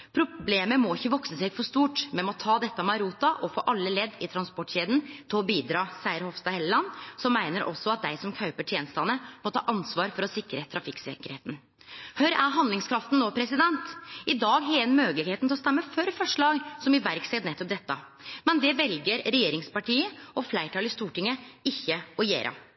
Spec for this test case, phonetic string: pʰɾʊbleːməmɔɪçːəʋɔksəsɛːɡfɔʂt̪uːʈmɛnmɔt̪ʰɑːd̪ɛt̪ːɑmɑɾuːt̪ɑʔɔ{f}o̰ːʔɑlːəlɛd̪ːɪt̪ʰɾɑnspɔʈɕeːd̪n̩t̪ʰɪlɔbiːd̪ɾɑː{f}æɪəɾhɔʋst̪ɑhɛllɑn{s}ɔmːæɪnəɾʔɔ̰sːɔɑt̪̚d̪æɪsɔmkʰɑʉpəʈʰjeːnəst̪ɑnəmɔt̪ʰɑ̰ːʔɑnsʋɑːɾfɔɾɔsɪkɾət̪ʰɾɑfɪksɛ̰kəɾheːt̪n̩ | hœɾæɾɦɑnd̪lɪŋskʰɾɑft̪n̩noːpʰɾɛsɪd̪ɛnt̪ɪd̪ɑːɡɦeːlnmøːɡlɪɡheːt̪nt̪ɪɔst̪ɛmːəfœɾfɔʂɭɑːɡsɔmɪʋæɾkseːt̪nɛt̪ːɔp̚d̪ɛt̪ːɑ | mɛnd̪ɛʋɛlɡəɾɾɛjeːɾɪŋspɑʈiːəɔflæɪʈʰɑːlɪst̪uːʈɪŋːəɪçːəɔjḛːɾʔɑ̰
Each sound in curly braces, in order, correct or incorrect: correct, incorrect, correct

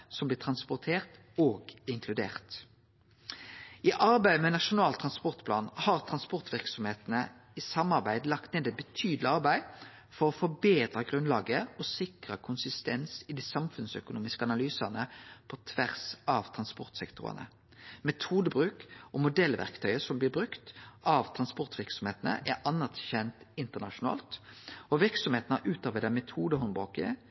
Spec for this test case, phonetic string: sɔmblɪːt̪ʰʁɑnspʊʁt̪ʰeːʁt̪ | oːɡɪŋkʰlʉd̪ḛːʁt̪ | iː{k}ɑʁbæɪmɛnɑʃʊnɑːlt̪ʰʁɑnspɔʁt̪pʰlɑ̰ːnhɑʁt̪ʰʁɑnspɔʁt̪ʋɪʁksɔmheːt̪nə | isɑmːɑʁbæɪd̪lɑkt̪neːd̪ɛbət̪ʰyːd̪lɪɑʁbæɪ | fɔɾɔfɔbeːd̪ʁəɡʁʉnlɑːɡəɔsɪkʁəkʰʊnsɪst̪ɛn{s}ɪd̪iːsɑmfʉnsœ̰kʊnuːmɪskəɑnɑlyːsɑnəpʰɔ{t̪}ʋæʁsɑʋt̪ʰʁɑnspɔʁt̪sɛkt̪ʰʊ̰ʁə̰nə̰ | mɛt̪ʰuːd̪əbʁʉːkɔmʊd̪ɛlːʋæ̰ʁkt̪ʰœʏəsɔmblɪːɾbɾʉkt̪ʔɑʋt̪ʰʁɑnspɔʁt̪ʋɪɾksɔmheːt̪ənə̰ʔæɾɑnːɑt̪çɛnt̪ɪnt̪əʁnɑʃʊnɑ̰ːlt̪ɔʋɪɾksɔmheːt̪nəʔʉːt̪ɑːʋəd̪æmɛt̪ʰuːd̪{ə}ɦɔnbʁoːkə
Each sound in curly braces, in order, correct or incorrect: incorrect, correct, incorrect, correct

